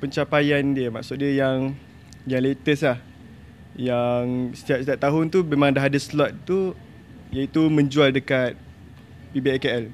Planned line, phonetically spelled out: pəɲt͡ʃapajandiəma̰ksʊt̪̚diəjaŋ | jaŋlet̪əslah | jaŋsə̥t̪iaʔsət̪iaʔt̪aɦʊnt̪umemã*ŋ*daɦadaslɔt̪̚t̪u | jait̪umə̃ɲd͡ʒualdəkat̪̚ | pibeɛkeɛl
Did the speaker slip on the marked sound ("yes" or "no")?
no